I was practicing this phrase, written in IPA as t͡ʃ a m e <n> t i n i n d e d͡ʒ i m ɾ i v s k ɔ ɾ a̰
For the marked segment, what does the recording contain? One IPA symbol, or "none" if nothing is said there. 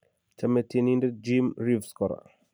none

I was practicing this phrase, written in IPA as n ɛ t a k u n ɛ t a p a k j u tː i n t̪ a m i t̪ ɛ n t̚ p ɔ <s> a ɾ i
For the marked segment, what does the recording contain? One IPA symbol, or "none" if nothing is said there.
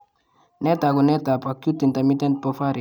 f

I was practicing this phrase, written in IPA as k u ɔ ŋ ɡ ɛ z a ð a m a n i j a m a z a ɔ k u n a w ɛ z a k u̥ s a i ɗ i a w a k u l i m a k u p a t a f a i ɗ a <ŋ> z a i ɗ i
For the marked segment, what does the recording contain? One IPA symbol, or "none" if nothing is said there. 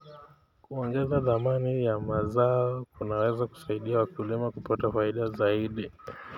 none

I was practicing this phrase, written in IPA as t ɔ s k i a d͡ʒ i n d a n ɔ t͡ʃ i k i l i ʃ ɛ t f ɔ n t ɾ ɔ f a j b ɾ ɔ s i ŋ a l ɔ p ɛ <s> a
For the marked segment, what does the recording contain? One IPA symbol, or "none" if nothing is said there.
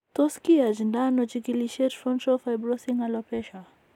ʃ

